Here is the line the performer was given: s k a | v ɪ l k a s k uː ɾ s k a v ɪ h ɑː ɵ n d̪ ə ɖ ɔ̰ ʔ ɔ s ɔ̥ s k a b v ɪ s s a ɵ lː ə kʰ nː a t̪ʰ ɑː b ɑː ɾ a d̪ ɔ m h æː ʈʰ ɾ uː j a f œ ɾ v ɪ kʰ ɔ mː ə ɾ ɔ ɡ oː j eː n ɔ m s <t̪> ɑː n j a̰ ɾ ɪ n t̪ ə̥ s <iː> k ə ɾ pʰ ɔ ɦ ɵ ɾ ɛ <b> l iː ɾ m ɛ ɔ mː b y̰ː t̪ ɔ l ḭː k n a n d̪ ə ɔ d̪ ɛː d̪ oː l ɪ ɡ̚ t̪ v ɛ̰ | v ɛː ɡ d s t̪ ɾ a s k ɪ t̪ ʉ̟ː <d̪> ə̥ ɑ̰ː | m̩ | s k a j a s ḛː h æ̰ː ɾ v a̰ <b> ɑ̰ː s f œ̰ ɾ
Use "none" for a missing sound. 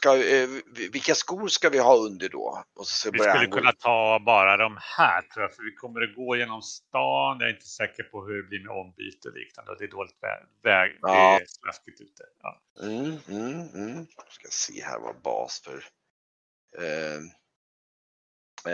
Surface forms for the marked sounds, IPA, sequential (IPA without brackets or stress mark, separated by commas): t̪, ɛː, b, t̪, b